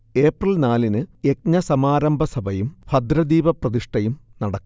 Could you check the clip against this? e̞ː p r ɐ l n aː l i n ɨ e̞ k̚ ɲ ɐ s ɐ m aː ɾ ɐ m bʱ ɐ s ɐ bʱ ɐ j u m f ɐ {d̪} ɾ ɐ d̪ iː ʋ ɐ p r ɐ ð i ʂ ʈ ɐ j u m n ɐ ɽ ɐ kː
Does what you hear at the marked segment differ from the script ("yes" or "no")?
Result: no